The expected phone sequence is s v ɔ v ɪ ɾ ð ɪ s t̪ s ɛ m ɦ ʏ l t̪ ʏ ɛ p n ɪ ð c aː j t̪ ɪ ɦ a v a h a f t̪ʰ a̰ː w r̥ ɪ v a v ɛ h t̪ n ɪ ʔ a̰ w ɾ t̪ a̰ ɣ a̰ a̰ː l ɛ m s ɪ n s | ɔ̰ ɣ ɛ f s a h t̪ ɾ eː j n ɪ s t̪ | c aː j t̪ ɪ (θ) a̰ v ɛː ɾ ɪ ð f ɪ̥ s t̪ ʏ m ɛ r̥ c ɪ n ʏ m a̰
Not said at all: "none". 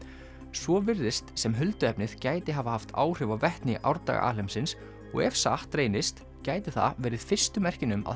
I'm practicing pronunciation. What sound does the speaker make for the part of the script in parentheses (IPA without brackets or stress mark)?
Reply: θ